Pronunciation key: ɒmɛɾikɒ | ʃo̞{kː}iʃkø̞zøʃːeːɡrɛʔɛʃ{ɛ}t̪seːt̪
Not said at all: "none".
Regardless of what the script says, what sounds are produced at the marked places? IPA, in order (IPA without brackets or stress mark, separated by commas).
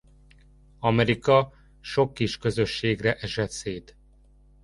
kː, ɛ